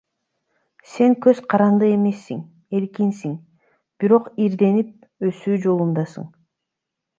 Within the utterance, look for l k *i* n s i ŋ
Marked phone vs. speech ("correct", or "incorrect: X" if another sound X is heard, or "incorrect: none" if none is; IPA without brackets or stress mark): correct